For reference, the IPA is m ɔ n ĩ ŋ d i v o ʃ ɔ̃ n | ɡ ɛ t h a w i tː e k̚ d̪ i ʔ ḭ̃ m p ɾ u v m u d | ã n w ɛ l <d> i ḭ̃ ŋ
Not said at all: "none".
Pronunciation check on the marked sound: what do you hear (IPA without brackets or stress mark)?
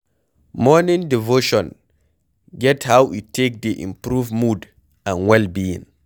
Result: b